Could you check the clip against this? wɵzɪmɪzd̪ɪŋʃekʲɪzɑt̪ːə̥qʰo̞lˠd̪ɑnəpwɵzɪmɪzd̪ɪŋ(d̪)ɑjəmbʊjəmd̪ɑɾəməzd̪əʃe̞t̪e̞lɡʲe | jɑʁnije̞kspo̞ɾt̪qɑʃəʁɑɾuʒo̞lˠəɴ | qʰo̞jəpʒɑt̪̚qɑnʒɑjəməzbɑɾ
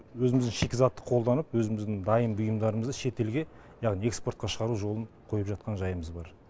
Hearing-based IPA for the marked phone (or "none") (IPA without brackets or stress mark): d̪